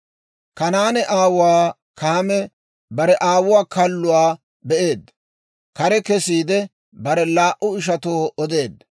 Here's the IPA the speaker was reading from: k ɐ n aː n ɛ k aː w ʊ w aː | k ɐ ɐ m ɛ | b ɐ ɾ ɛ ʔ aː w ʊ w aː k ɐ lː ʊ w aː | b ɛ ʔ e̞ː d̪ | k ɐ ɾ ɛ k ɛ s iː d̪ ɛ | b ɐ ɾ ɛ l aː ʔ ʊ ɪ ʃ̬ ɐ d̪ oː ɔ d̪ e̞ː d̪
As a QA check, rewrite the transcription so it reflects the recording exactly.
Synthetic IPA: k ɐ n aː n ɛ ʔ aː w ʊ w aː | k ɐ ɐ m ɛ | b ɐ ɾ ɛ ʔ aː w ʊ w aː k ɐ lː ʊ w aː | b ɛ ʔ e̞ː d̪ | k ɐ ɾ ɛ k ɛ s iː d̪ ɛ | b ɐ ɾ ɛ l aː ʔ ʊ ɪ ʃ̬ ɐ t̪ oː ɔ d̪ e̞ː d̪